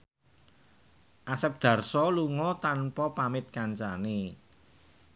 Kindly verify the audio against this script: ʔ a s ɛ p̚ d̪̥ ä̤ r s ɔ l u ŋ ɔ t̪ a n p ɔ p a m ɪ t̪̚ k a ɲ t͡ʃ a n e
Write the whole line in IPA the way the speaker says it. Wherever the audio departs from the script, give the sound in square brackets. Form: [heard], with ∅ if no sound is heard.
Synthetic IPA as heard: ʔ a s ɛ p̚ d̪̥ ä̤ r s ɔ l u ŋ ɔ t̪ a n p ɔ p a m ɪ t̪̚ k a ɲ t͡ʃ a n e